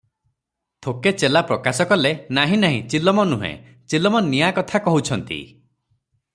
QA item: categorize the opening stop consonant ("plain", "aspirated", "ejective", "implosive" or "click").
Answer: aspirated